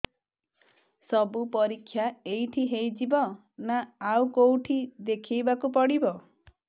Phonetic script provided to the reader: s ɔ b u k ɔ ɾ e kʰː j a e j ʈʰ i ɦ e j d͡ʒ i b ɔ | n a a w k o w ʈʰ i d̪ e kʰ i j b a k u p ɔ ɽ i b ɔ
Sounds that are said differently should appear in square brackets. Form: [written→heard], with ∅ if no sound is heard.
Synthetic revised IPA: s ɔ b u [k→p] ɔ ɾ [e→i] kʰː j a e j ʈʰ i ɦ e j d͡ʒ i b ɔ | n a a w k o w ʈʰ i d̪ e kʰ i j b a k u p ɔ ɽ i b ɔ